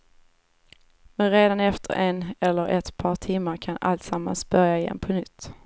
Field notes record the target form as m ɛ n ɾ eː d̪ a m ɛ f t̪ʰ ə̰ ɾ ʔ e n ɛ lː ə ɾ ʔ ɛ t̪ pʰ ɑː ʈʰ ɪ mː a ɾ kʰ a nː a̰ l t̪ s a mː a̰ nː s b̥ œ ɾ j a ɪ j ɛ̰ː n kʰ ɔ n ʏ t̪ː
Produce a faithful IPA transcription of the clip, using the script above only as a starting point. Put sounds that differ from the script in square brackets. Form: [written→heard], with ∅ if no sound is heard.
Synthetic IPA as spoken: m ɛ n ɾ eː d̪ a [m→n] ɛ f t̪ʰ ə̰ ɾ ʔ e n ɛ lː ə ɾ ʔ ɛ t̪ pʰ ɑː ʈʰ ɪ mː a ɾ kʰ a [nː→n] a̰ l t̪ s a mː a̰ [nː→n] s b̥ œ ɾ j a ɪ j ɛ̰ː n [kʰ→pʰ] ɔ n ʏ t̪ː